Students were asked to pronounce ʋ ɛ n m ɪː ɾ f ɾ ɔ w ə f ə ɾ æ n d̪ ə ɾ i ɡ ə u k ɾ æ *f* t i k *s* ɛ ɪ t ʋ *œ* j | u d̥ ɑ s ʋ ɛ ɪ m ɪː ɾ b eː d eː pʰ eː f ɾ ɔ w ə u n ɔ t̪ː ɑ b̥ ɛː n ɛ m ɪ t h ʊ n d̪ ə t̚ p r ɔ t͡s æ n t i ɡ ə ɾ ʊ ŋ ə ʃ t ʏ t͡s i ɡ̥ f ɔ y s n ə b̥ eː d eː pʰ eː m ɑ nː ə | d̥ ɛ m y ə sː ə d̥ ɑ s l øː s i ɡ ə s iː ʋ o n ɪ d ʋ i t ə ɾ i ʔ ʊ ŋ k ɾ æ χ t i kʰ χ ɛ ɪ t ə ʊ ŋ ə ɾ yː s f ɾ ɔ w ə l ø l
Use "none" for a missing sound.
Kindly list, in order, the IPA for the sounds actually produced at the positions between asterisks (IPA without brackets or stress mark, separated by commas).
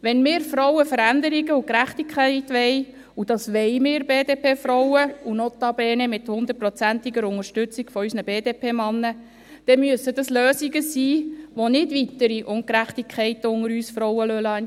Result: χ, χ, ɛ